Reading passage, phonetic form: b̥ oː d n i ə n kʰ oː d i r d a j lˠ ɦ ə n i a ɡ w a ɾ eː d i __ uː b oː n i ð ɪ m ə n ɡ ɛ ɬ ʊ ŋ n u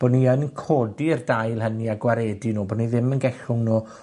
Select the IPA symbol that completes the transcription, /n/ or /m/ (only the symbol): n